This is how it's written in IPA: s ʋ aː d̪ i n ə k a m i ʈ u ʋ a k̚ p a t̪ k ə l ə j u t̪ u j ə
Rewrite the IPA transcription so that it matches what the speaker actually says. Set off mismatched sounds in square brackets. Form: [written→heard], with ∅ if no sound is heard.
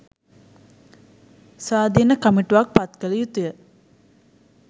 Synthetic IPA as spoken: s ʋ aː d̪ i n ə k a m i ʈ u ʋ a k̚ p a t̪ k ə l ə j u t̪ u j ə